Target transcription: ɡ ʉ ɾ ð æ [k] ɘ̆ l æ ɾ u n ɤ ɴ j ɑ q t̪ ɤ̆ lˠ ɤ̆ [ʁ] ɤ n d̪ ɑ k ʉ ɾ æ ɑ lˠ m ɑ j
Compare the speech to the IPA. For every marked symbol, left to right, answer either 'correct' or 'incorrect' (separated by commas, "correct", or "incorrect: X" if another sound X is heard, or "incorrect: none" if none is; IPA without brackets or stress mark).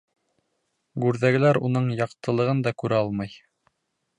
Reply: incorrect: ɡ, correct